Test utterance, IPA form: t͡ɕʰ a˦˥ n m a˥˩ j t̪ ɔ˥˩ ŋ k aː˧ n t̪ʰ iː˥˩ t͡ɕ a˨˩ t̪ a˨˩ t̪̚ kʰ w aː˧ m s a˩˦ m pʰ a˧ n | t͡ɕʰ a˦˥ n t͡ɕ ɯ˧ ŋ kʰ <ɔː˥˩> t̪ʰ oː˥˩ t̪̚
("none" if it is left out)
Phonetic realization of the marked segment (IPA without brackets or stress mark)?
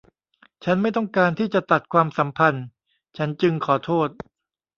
ɔː˩˦